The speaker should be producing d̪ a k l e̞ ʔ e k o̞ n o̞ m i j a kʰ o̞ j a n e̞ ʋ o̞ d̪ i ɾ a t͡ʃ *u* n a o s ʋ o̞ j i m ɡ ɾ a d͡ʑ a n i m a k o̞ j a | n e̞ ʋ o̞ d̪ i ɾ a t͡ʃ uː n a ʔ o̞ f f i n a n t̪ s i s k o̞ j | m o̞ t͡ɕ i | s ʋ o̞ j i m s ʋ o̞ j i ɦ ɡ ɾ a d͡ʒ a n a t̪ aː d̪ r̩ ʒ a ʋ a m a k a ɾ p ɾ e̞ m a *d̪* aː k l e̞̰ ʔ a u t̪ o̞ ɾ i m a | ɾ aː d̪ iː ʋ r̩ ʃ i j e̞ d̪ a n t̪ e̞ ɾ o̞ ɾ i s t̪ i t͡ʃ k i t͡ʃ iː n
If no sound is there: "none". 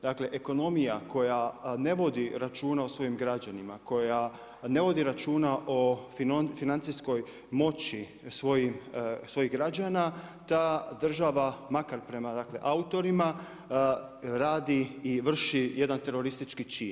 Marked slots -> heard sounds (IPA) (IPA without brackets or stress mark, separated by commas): uː, d̪